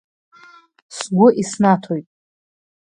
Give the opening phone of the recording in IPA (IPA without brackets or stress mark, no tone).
s